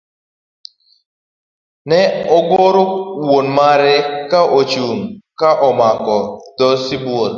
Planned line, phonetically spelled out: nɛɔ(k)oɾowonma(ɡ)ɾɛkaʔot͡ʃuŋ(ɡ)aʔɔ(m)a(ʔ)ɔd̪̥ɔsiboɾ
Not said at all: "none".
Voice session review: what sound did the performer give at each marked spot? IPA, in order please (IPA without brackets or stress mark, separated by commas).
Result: ɡ, none, k, m, k